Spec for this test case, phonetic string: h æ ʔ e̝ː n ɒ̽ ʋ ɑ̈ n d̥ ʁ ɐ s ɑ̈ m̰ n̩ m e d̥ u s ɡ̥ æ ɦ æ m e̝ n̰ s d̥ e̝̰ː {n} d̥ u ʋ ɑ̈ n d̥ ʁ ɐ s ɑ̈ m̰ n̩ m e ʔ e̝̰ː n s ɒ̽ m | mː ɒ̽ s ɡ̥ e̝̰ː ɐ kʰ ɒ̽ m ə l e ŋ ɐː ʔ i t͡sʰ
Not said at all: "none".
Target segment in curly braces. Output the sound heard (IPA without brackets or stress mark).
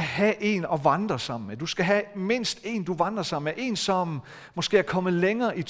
n